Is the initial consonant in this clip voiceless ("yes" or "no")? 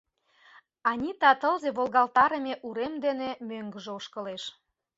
no